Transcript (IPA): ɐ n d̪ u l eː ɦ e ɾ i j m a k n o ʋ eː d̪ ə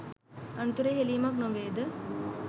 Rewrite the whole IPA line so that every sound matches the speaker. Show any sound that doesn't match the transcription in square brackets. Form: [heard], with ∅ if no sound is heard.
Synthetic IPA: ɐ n [t̪] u [ɾ] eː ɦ e [l] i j m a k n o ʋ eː d̪ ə